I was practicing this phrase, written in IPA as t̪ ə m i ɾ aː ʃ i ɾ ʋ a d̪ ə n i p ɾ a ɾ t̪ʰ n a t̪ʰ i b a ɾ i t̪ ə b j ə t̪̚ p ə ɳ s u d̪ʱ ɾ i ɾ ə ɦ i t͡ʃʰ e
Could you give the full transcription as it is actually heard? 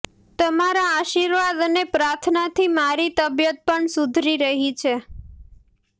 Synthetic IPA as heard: t̪ ə m a ɾ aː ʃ i ɾ ʋ a d̪ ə n e p ɾ a ɾ t̪ʰ n a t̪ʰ i m a ɾ i t̪ ə b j ə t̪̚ p ə ɳ s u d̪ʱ ɾ i ɾ ə ɦ i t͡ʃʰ e